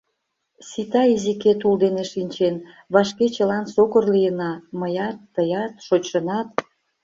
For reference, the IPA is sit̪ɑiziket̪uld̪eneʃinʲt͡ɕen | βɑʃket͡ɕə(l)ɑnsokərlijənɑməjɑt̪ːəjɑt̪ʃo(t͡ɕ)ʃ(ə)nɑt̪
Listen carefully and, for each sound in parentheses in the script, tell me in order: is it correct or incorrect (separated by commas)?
correct, correct, correct